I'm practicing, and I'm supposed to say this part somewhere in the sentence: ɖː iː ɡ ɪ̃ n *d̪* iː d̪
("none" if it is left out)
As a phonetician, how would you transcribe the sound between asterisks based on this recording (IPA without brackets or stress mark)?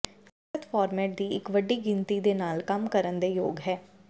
t̪